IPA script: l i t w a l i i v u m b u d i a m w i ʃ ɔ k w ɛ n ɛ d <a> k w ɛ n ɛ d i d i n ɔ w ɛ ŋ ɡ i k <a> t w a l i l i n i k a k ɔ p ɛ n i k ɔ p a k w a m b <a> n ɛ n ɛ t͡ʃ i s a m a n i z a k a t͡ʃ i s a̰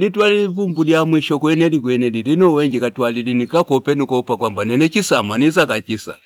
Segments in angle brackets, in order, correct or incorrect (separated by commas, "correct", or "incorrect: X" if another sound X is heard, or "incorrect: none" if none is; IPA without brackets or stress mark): incorrect: i, correct, correct